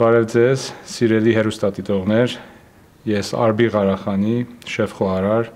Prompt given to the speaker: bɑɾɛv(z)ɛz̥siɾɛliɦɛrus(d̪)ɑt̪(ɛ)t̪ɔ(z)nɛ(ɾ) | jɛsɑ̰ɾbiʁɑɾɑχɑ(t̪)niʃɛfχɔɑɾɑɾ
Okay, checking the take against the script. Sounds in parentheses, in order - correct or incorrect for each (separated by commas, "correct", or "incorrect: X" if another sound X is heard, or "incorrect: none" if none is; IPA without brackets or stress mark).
incorrect: d͡z, incorrect: t̪, incorrect: i, incorrect: ʁ, correct, incorrect: none